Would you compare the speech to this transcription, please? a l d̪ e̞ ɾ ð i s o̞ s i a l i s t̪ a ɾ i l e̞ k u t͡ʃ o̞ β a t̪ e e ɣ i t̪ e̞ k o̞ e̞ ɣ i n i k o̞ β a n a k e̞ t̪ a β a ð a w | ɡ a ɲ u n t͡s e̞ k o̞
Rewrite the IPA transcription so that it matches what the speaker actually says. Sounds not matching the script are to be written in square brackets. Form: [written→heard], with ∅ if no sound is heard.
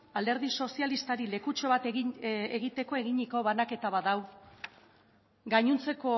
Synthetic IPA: a l d̪ e̞ ɾ ð i s o̞ s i a l i s t̪ a ɾ i l e̞ k u t͡ʃ o̞ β a t̪ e e ɣ i t̪ e̞ k o̞ e̞ ɣ i [n→ɲ] i k o̞ β a n a k e̞ t̪ a β a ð a w | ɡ a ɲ u n t͡s e̞ k o̞